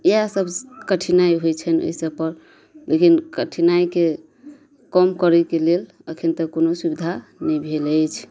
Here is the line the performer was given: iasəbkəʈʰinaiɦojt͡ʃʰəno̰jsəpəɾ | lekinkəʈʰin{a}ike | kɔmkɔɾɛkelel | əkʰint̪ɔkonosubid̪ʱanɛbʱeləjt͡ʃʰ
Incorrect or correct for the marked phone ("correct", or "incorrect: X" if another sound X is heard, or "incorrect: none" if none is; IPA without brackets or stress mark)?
correct